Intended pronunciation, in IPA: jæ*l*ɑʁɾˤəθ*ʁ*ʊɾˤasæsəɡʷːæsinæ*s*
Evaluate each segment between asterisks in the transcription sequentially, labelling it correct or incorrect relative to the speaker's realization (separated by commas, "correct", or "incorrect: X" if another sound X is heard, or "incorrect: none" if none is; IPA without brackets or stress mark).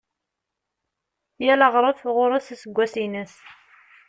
correct, correct, correct